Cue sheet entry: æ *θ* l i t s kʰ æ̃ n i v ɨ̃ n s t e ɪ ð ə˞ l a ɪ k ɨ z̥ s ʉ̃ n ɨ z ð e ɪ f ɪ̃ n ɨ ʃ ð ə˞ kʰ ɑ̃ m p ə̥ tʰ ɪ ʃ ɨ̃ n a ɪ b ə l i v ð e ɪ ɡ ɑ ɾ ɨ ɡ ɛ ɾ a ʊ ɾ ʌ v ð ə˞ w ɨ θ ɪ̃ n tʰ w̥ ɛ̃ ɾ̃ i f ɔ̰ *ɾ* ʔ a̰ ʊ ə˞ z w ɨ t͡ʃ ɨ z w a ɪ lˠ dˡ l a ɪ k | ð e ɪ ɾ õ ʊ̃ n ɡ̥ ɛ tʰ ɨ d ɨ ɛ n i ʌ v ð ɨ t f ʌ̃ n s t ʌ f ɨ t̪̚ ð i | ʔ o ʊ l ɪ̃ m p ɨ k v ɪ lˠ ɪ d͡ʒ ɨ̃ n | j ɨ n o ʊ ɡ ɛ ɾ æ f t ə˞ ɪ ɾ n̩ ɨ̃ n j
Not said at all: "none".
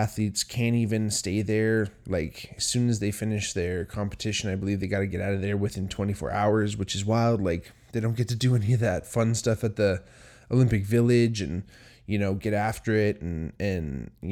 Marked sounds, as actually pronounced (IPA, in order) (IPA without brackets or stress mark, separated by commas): θ, ɹ